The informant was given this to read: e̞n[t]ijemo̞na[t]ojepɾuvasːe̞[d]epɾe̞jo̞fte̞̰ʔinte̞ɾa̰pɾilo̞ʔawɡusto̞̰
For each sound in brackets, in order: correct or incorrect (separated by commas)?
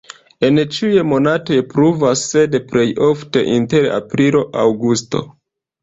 incorrect, correct, correct